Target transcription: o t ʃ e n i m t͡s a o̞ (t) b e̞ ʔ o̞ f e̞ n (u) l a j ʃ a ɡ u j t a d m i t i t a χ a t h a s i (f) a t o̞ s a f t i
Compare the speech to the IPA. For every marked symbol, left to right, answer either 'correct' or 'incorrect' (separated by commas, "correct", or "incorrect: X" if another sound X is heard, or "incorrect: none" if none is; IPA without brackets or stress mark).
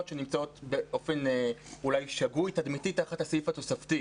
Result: correct, correct, correct